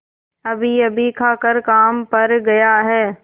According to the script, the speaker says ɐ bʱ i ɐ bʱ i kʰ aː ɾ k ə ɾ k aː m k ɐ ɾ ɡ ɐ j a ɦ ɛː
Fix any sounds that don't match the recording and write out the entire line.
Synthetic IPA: ɐ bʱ i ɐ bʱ i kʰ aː k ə ɾ k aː m p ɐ ɾ ɡ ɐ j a ɦ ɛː